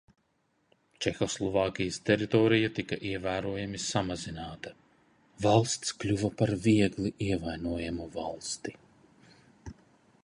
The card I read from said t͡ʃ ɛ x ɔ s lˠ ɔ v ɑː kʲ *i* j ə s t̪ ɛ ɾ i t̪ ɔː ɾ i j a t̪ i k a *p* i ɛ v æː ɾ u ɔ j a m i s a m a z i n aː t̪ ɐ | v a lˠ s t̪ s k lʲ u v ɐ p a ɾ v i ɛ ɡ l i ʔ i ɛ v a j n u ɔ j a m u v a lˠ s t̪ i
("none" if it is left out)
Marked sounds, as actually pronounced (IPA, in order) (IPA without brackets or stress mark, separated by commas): i, ʔ